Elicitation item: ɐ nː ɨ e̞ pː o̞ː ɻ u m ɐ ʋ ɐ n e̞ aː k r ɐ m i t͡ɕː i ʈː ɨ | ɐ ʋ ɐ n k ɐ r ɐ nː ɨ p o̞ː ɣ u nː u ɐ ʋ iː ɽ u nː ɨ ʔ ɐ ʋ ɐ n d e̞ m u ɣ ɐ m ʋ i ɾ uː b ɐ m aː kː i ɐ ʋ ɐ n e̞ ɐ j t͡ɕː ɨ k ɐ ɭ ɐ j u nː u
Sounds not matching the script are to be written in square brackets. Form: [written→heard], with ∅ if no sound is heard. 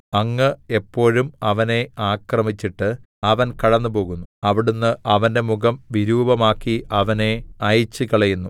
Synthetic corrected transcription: ɐ [nː→ŋː] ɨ e̞ pː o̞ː ɻ u m ɐ ʋ ɐ n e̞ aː k r ɐ m i t͡ɕː i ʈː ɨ | ɐ ʋ ɐ n k ɐ [r→ɽ] ɐ nː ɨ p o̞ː ɣ u nː u ɐ ʋ [iː→i] ɽ u nː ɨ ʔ ɐ ʋ ɐ n d e̞ m u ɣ ɐ m ʋ i ɾ uː b ɐ m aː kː i ɐ ʋ ɐ n e̞ ɐ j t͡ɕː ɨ k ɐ ɭ ɐ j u nː u